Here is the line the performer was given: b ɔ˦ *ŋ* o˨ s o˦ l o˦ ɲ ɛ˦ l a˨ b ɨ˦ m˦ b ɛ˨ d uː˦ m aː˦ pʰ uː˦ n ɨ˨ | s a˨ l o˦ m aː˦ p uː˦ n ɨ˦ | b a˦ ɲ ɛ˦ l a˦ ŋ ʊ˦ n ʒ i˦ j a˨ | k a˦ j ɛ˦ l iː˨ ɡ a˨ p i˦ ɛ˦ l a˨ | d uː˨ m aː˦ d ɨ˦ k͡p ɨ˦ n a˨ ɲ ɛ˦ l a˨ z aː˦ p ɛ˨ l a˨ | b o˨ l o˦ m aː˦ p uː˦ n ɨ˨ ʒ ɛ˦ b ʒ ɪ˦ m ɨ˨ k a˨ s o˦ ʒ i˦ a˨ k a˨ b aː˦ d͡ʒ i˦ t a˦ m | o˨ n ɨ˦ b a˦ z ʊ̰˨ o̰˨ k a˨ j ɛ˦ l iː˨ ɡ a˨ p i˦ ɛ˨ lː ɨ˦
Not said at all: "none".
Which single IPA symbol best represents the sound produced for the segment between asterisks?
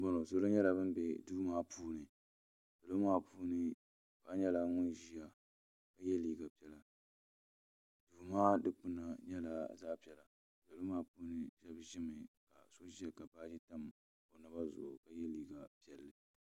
n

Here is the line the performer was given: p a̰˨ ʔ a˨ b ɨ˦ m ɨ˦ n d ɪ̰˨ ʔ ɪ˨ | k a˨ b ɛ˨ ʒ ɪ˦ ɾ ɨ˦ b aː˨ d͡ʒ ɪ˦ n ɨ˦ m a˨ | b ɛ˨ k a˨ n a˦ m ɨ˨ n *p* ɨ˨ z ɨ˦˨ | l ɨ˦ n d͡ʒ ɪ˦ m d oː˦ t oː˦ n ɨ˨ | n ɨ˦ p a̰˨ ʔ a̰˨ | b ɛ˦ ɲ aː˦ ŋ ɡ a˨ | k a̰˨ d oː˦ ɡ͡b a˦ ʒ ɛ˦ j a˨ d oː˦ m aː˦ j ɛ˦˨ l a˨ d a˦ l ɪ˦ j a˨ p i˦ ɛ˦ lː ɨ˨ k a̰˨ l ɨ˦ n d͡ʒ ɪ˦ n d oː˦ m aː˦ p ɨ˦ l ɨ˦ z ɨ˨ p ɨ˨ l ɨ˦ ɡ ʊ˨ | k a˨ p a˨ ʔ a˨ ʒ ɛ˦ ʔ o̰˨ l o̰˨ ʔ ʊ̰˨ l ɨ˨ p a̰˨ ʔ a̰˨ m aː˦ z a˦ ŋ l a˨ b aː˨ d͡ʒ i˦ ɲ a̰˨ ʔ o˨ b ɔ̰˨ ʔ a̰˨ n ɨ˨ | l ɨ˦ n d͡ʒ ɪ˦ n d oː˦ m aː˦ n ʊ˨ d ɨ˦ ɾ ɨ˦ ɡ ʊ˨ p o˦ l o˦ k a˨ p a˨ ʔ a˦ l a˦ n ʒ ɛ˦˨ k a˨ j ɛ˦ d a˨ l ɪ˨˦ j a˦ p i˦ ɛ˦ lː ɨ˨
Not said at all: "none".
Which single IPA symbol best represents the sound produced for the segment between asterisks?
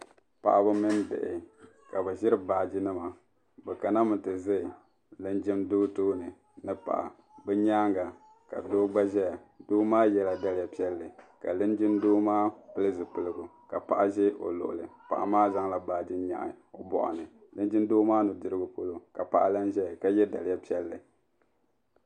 t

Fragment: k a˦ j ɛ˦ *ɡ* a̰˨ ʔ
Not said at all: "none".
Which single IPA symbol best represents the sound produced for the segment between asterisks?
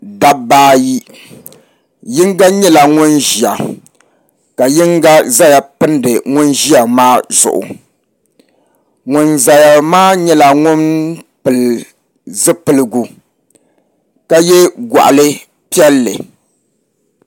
ɡ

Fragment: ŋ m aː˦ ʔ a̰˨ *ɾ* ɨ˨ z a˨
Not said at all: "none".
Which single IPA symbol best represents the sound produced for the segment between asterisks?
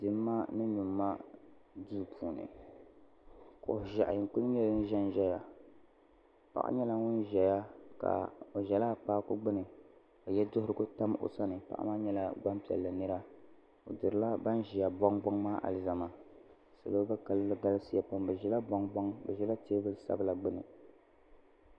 l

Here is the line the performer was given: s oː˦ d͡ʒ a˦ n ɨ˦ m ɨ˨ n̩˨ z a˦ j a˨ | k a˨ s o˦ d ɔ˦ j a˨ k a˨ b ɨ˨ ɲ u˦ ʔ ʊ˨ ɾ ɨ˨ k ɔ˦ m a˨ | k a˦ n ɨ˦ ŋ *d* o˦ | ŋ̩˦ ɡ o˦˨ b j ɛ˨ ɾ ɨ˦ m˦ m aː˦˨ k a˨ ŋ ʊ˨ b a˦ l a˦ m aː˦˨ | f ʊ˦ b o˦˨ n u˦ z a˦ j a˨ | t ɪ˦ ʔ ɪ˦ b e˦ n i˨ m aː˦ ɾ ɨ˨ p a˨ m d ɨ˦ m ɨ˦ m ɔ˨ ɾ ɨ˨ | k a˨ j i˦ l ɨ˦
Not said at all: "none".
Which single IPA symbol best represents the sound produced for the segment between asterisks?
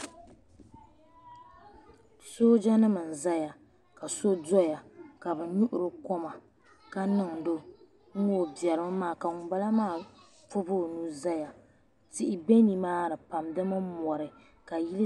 d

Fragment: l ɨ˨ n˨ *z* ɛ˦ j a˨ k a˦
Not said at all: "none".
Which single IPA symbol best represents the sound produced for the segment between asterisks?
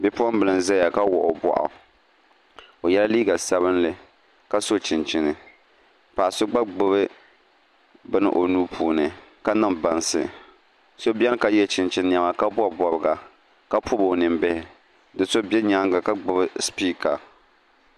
z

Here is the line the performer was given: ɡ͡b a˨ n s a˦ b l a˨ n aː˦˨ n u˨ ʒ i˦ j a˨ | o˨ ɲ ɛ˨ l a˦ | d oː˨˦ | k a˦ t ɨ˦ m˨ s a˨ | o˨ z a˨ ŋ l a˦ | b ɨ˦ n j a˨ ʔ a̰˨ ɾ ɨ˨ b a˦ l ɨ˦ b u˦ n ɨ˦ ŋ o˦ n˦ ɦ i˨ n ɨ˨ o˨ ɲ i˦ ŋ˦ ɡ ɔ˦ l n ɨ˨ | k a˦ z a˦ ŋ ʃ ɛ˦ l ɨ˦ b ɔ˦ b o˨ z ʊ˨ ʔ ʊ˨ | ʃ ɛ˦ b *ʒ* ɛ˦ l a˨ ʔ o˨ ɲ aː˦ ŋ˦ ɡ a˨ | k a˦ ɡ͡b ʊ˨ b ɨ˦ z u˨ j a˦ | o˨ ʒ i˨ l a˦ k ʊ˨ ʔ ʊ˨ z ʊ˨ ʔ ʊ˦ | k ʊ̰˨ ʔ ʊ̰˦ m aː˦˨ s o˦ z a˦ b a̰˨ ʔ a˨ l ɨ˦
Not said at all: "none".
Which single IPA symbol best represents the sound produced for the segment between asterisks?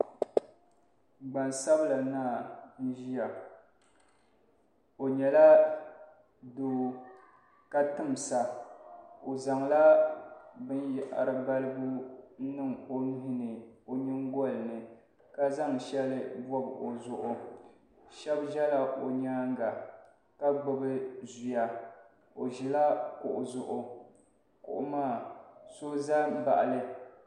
ʒ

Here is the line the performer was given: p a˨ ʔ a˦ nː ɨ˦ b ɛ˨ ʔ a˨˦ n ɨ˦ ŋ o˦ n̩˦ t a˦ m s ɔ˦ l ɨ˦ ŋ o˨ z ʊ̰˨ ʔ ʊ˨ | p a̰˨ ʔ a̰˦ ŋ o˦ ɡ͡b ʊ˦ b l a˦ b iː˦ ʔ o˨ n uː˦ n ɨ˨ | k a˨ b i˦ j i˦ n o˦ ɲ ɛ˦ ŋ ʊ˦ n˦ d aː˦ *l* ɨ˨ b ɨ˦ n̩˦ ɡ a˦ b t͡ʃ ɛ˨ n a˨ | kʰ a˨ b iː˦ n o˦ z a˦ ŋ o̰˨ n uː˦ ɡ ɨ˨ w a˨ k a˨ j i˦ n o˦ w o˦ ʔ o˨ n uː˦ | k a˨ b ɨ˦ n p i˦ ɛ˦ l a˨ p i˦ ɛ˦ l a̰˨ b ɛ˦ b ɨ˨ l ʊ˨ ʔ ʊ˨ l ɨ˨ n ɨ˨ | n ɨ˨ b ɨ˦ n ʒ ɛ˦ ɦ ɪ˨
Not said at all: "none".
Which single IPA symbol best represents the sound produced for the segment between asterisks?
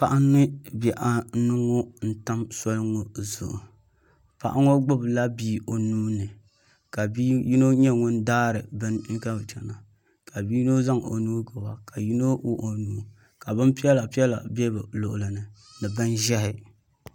ɾ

